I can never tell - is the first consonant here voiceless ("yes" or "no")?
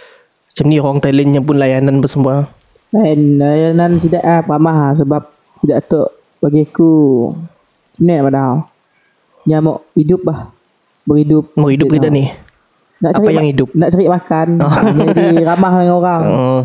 yes